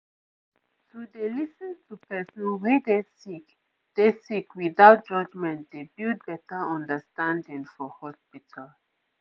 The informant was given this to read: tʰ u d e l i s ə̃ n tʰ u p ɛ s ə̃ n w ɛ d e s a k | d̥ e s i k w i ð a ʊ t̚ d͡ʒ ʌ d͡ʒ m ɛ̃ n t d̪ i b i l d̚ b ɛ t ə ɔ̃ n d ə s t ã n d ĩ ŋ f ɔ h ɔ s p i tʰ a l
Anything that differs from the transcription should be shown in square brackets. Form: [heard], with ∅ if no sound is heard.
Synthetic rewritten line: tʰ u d e l i s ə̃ n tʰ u p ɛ s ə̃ n w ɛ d e s [i] k | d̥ e s i k w i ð a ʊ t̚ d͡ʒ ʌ d͡ʒ m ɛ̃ n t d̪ [e] b i l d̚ b ɛ t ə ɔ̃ n d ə s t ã n d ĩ ŋ f ɔ h ɔ s p i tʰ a l